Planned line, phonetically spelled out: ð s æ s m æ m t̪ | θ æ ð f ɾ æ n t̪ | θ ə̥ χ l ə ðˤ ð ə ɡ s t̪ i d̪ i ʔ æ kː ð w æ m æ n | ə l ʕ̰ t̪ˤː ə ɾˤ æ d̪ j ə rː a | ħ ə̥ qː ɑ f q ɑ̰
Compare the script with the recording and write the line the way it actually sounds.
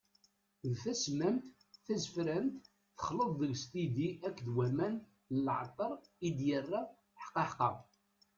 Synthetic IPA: ð θ æ s m æ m t̪ | θ æ z f ɾ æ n t̪ | θ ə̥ χ l ə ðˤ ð ə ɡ s t̪ i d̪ i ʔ æ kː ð w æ m æ n | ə l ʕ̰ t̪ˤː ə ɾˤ i d̪ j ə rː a | ħ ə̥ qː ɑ ħ q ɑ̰